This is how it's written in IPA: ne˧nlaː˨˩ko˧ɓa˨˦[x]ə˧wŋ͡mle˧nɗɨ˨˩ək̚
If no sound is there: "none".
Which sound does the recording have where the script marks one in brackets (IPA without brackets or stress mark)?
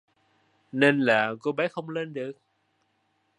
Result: x